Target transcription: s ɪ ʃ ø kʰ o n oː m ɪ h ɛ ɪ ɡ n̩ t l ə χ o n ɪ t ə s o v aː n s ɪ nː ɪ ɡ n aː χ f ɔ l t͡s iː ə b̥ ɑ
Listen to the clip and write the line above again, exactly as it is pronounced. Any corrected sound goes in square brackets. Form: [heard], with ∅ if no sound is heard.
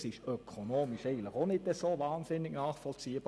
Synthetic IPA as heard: s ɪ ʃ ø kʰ o n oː m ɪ [ʃ] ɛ ɪ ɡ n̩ t l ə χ o n ɪ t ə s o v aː n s ɪ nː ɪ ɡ n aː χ f ɔ l t͡s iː ə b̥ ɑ